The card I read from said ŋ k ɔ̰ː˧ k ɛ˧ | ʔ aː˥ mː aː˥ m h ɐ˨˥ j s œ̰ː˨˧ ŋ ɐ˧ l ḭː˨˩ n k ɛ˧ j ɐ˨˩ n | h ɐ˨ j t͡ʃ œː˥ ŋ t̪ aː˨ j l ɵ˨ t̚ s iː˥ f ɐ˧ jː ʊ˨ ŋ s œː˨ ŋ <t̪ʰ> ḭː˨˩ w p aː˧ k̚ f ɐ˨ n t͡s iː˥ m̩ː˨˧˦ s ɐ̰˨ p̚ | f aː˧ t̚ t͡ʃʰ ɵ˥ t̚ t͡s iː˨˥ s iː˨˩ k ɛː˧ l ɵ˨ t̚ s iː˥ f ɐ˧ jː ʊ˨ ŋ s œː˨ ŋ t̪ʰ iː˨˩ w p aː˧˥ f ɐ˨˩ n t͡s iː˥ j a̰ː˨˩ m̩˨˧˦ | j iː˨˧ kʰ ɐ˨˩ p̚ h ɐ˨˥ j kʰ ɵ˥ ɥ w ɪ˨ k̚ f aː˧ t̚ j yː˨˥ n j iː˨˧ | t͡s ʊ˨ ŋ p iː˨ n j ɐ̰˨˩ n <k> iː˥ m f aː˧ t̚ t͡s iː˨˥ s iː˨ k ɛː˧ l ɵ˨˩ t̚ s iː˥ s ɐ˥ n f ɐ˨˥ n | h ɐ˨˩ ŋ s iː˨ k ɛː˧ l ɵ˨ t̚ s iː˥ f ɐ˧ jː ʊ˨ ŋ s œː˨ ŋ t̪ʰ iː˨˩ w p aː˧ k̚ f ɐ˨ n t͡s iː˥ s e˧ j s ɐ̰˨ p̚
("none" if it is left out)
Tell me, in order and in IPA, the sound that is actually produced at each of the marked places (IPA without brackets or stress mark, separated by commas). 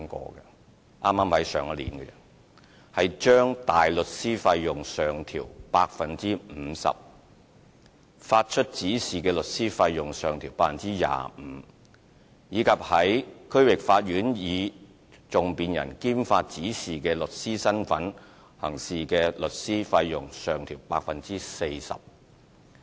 t̪ʰ, k